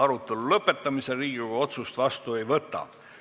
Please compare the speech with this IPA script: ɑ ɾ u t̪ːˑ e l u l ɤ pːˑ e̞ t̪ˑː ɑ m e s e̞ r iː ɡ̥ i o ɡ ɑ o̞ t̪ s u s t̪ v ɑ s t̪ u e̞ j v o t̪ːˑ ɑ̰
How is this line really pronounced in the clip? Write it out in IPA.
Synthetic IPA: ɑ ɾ u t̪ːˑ e l u l ɤ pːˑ e̞ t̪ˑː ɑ m i s e̞ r iː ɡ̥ i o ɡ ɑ o̞ t̪ s u s t̪ v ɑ s t̪ u e̞ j v ɤ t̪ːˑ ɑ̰